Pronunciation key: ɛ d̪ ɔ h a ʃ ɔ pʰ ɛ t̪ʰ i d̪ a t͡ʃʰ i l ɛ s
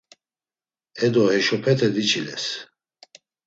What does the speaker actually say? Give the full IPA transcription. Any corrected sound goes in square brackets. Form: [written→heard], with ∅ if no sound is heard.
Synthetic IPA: ɛ d̪ ɔ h [a→ɛ] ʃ ɔ pʰ ɛ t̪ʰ [i→ɛ] d̪ [a→i] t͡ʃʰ i l ɛ s